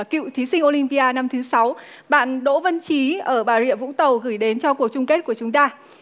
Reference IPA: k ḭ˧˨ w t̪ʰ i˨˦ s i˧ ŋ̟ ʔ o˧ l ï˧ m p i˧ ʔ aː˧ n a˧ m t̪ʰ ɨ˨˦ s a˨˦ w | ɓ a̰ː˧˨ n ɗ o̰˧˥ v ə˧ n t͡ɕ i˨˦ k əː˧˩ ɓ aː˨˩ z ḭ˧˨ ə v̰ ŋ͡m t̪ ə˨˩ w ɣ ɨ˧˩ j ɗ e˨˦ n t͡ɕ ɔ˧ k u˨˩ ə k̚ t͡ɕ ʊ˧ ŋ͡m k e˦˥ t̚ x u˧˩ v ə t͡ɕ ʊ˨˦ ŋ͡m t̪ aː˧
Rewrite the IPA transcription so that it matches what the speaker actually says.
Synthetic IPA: k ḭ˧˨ w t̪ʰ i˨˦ s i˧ ŋ̟ ʔ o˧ l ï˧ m p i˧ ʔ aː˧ n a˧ m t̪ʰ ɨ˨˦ s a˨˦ w | ɓ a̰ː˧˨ n ɗ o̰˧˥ v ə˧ n t͡ɕ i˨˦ ʔ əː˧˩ ɓ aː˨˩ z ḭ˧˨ ə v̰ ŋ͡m t̪ ə˨˩ w ɣ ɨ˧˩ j ɗ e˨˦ n t͡ɕ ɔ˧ k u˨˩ ə k̚ t͡ɕ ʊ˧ ŋ͡m k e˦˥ t̚ k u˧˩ ə t͡ɕ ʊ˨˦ ŋ͡m t̪ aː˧